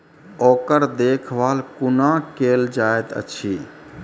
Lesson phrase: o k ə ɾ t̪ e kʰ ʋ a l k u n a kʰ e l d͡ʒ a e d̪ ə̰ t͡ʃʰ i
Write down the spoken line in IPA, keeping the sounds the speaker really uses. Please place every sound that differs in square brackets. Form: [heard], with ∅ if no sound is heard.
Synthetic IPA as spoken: o k ə ɾ [d̪] e kʰ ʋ a l k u n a [k] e l d͡ʒ a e [t̪] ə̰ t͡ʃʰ i